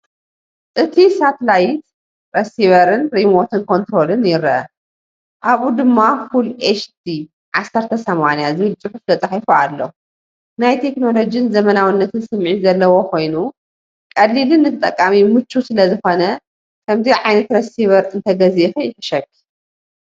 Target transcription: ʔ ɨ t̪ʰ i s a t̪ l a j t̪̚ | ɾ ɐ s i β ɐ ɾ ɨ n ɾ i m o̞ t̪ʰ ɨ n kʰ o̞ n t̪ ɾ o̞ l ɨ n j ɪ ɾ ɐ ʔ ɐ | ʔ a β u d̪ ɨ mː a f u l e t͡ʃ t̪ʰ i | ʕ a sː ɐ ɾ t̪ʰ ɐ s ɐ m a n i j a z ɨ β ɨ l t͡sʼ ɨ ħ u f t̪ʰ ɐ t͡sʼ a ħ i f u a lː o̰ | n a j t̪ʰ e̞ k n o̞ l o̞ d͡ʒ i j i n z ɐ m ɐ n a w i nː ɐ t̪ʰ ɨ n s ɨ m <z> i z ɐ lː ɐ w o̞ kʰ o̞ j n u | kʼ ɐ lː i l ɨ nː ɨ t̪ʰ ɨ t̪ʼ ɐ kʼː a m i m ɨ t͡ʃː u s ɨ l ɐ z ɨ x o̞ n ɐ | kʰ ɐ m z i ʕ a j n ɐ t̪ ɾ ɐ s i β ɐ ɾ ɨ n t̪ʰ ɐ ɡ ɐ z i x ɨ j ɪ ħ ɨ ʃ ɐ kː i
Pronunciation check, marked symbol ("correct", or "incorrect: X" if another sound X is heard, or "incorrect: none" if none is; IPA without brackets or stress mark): incorrect: ʕ